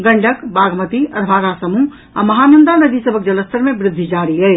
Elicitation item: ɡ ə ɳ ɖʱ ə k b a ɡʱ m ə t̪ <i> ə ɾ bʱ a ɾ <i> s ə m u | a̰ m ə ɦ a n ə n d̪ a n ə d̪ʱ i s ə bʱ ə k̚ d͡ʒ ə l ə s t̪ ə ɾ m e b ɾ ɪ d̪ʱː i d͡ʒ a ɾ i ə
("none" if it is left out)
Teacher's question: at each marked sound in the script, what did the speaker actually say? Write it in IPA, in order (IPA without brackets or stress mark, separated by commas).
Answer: i, a